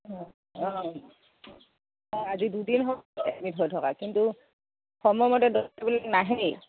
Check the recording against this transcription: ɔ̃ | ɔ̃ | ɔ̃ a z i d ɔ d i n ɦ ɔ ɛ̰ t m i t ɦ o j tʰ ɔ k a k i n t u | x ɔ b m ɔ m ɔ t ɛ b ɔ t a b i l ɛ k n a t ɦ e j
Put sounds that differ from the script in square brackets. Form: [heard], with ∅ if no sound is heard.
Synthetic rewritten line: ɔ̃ | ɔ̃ | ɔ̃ a z i d [u] d i n ɦ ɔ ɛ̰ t m i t ɦ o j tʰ ɔ k a k i n t u | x ɔ [∅] m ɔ m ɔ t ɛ [d] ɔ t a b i l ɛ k n a [∅] ɦ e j